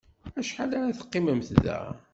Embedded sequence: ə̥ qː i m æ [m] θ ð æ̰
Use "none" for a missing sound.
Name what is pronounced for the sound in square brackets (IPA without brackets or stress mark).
m